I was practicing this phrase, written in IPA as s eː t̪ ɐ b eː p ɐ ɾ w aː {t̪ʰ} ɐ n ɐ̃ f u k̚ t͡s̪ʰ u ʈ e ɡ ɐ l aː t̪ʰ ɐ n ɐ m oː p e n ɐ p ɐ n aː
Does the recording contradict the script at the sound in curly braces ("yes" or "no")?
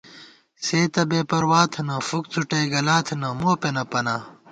no